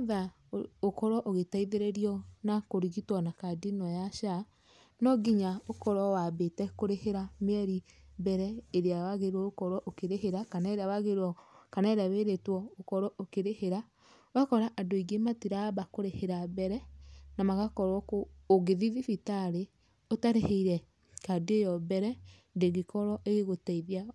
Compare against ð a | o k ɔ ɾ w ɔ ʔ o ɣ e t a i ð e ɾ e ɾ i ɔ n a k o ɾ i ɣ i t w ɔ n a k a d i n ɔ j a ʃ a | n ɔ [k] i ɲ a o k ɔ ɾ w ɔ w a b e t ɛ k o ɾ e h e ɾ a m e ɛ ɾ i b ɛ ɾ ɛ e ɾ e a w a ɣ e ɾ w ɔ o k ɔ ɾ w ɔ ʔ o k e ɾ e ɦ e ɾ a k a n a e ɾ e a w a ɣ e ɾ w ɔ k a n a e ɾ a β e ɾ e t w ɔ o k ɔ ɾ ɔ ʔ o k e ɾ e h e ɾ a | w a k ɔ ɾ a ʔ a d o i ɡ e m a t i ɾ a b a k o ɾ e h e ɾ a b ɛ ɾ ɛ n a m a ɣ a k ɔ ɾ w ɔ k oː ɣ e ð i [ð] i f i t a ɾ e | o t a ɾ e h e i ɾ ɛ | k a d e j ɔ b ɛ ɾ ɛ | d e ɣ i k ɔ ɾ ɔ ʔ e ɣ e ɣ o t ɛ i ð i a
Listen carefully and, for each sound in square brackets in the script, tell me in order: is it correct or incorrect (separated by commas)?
incorrect, correct